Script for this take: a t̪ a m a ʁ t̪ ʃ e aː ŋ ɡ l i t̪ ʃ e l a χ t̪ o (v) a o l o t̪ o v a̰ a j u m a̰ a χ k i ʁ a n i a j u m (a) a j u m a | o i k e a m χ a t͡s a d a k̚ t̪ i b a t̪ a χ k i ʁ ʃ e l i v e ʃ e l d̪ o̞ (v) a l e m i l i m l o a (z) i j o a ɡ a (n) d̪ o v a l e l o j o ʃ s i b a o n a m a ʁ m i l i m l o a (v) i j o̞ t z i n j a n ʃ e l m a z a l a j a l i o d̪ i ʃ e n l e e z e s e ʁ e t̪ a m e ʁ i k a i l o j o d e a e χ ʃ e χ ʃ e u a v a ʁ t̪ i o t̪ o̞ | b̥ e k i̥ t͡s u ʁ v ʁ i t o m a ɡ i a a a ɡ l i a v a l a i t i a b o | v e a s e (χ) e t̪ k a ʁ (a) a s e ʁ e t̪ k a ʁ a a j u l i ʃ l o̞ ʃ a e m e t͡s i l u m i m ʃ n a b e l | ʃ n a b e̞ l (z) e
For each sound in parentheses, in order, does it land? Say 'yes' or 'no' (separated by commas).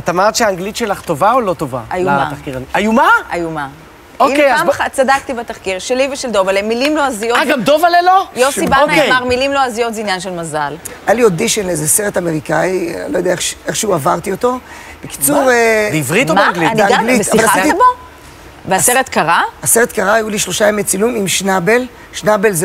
yes, yes, yes, yes, no, no, no, yes, yes